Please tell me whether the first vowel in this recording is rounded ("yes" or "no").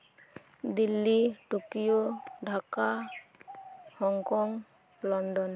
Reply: no